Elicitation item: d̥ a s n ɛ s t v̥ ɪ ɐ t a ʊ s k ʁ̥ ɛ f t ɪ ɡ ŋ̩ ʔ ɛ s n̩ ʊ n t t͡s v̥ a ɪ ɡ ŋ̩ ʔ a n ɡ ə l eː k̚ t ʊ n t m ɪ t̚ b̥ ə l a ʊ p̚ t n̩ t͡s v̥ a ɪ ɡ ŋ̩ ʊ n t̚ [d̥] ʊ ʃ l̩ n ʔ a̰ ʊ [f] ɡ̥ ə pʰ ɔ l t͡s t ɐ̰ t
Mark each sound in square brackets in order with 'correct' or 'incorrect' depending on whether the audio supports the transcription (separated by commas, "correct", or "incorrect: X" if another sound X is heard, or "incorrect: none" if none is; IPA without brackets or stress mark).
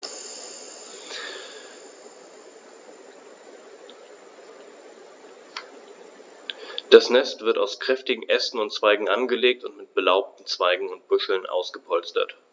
incorrect: b̥, incorrect: s